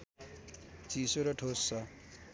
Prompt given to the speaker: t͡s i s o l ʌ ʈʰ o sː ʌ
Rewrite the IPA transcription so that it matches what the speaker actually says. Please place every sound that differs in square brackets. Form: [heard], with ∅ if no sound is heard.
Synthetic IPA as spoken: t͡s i s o [ɾ] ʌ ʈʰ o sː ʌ